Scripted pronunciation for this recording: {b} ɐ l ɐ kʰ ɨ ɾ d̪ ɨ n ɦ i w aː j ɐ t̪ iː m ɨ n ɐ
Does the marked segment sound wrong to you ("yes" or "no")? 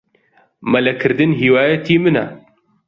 yes